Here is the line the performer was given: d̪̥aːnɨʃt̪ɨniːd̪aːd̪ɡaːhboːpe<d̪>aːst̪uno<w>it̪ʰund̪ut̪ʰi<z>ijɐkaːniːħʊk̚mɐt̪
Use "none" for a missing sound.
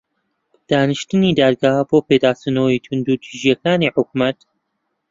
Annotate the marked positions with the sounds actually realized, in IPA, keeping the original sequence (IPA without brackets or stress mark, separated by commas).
d̪, w, ʒ